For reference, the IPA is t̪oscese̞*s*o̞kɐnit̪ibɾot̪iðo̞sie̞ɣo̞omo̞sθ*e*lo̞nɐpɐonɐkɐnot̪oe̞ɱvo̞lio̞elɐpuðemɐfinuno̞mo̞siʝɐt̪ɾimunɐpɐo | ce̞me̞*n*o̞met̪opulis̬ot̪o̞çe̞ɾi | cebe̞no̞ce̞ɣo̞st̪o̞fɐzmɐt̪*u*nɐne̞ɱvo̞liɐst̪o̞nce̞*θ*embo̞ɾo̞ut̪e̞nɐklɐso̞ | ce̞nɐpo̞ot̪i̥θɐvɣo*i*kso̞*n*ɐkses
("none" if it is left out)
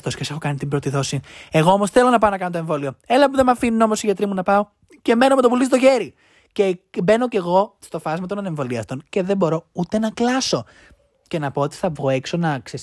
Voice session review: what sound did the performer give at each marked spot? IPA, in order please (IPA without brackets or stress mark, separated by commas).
x, e, n, o, ð, e, n